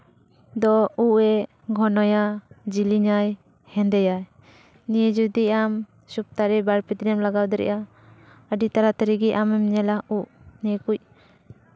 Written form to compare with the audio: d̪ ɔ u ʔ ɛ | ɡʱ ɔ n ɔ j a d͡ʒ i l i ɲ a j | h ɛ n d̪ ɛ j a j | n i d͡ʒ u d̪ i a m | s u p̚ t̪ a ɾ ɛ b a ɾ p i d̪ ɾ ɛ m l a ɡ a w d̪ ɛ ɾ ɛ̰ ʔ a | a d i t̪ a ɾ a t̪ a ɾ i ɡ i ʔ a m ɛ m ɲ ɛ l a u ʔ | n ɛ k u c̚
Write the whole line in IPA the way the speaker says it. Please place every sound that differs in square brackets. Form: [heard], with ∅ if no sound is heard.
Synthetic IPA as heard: d̪ ɔ u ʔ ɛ | ɡʱ ɔ n ɔ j a d͡ʒ i l i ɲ a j | h ɛ n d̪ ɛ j a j | n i d͡ʒ u d̪ i a m | s u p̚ t̪ a ɾ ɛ b a ɾ p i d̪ ɾ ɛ m l a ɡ a w d̪ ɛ ɾ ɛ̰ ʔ a | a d i t̪ a ɾ a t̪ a ɾ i ɡ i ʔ a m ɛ m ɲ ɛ l a u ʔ | n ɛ k u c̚